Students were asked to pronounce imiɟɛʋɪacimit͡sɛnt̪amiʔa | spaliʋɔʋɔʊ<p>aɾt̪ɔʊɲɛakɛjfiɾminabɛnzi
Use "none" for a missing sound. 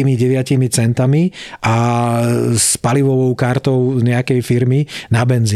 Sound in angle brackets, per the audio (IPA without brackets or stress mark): k